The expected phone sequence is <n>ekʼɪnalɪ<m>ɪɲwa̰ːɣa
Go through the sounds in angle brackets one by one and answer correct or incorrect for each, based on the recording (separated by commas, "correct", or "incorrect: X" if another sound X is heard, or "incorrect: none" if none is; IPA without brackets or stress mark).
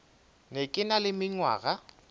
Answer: correct, correct